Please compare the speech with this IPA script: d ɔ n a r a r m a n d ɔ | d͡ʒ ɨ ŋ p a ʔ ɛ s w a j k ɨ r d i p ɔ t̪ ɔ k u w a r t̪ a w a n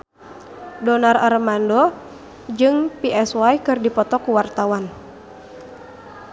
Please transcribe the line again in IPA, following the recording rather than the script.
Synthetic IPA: d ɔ n a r a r m a n d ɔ | d͡ʒ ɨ ŋ p i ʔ ɛ s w a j k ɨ r d i p ɔ t̪ ɔ k u w a r t̪ a w a n